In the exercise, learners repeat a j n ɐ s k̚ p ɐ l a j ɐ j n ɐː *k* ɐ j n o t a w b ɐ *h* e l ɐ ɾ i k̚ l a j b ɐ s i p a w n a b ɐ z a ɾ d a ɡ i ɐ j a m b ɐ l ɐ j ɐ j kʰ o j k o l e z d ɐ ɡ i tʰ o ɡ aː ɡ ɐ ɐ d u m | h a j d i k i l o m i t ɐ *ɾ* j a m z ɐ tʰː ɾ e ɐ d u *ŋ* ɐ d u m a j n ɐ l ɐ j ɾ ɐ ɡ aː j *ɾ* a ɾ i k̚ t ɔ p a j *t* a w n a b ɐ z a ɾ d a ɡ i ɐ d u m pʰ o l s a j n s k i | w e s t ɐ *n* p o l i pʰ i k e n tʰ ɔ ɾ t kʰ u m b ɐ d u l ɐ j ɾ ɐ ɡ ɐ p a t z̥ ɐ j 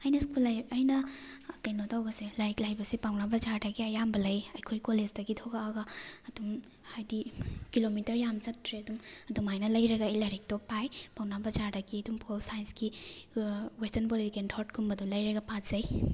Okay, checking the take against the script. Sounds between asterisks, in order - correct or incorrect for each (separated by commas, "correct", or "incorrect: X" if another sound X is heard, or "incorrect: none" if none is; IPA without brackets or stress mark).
correct, incorrect: s, correct, incorrect: m, incorrect: l, incorrect: p, correct